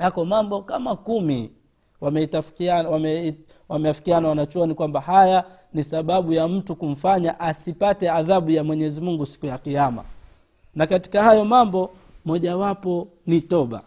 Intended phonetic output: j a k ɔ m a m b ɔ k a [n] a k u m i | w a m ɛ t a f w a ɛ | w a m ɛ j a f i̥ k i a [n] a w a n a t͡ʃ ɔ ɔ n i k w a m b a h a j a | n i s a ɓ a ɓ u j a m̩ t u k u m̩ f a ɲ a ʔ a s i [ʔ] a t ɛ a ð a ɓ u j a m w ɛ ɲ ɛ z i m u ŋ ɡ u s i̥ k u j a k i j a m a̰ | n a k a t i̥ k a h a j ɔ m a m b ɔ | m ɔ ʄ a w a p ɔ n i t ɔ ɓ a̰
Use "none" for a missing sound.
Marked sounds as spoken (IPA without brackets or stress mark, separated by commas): m, n, p